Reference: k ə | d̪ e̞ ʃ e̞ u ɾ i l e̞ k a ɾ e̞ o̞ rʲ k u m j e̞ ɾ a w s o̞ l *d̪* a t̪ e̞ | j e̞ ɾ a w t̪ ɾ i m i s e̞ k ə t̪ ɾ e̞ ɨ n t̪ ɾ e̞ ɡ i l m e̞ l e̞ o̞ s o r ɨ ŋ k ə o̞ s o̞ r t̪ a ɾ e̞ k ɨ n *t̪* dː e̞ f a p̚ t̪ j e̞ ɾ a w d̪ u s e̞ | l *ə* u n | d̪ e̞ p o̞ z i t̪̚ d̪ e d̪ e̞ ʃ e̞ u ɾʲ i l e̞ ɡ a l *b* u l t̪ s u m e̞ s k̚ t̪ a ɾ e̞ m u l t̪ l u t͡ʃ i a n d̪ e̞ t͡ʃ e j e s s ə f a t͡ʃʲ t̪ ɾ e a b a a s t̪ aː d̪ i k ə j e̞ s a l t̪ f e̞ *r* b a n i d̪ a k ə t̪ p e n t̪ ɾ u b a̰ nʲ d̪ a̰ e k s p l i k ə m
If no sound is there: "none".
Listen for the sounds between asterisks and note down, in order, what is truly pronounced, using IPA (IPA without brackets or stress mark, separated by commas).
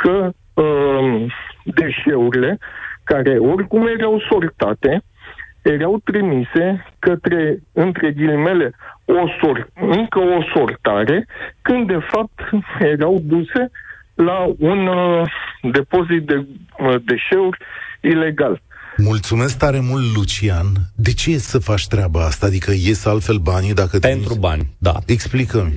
t̪, d̪, a, m, l